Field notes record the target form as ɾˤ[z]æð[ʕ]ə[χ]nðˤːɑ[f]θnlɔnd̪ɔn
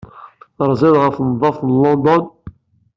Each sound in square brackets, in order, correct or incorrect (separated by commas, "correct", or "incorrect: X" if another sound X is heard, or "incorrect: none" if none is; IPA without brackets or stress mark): correct, incorrect: ʁ, incorrect: f, correct